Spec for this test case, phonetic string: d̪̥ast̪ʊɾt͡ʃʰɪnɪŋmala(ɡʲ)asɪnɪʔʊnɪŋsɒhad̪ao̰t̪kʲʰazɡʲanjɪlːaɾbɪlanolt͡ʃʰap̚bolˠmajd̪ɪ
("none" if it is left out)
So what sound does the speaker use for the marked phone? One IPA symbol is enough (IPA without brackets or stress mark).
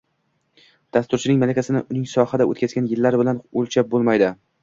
kʲ